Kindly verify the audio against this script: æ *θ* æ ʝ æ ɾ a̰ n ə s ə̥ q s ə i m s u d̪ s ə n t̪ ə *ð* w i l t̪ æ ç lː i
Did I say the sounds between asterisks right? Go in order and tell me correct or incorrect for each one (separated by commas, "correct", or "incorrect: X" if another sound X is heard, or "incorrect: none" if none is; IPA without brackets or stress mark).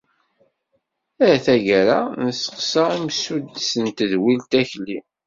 correct, correct